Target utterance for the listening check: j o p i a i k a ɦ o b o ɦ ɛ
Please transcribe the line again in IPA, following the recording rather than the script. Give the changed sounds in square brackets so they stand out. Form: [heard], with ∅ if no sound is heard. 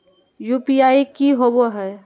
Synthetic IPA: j [u] p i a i k [i] ɦ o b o ɦ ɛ